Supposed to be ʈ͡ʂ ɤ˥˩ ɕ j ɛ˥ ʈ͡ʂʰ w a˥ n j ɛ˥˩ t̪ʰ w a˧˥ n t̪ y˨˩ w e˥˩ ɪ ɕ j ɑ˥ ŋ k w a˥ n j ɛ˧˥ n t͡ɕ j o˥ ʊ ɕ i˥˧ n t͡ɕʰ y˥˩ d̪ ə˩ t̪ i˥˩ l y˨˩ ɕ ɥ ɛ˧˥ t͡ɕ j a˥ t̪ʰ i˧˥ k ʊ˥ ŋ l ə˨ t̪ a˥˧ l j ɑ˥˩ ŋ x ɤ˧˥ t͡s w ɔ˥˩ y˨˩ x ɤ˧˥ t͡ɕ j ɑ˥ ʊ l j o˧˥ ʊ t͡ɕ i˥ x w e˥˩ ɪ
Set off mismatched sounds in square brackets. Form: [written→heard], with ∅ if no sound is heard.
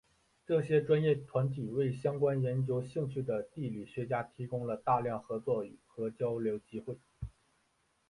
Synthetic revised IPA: ʈ͡ʂ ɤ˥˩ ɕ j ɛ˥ [ʈ͡ʂʰ→ʈ͡ʂ] w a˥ n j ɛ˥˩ t̪ʰ w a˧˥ n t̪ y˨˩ w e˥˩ ɪ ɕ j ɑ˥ ŋ k w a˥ n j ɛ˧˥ n t͡ɕ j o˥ ʊ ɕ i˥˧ [n→ŋ] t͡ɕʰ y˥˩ d̪ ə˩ t̪ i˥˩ l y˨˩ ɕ ɥ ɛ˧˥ t͡ɕ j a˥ t̪ʰ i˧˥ k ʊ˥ ŋ l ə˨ t̪ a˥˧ l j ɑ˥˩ ŋ x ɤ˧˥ t͡s w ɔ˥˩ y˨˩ x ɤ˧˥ t͡ɕ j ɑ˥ ʊ l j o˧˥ ʊ t͡ɕ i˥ x w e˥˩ ɪ